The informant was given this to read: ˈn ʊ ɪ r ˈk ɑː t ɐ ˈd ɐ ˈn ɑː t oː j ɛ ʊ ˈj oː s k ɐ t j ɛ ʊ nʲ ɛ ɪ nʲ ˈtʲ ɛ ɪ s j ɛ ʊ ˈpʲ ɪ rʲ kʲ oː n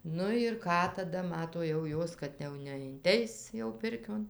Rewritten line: ˈn ʊ ɪ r ˈk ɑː t ɐ ˈd ɐ ˈm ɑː t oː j ɛ ʊ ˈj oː s k ɐ t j ɛ ʊ nʲ ɛ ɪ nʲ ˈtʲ ɛ ɪ s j ɛ ʊ ˈpʲ ɪ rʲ kʲ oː n